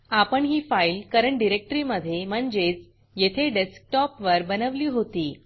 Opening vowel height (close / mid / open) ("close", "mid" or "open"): open